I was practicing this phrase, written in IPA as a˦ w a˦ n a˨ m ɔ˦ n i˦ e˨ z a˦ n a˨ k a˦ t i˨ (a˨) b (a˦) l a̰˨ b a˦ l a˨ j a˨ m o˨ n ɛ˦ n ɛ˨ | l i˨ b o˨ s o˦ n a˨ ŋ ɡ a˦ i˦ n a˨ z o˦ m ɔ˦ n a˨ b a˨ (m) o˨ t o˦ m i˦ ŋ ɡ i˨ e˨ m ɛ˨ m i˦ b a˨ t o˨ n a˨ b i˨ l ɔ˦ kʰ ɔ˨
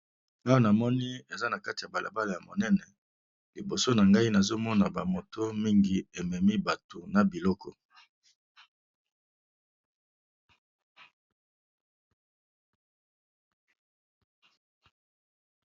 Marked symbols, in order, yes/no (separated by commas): yes, no, yes